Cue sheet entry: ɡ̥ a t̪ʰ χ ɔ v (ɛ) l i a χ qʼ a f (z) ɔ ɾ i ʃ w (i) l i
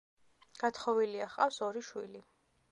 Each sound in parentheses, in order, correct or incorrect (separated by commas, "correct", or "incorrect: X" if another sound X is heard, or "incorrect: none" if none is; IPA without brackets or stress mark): incorrect: i, incorrect: s, correct